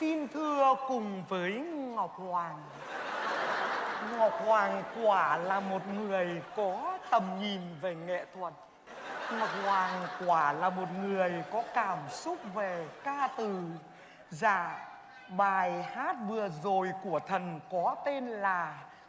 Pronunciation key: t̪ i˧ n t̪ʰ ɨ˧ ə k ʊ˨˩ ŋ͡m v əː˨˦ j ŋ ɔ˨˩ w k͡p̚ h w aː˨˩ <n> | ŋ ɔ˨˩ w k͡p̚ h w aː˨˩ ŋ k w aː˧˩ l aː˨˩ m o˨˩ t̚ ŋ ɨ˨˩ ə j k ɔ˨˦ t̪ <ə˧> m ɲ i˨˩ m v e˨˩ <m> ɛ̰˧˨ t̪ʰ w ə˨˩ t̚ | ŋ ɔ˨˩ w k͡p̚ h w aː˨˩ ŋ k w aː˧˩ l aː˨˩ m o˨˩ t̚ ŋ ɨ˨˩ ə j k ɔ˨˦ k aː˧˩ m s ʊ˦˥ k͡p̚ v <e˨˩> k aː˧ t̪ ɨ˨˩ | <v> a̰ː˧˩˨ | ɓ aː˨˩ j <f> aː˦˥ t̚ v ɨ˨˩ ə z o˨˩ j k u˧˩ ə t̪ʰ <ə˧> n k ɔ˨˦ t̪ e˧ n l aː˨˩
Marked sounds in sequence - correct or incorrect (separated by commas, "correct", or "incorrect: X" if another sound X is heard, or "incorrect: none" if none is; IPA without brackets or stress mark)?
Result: incorrect: ŋ, incorrect: ə˨˩, incorrect: ŋ, correct, incorrect: z, incorrect: h, incorrect: ə˨˩